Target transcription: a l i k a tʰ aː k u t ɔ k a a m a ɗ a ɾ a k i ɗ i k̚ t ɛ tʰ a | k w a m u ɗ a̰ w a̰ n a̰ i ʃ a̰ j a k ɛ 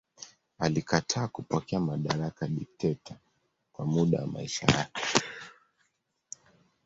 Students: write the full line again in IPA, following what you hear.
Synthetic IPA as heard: a l i k a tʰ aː k u p ɔ k ɛ a m a ɗ a ɾ a k a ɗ i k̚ t ɛ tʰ a | k w a m u ɗ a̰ w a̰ m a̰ i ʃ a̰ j a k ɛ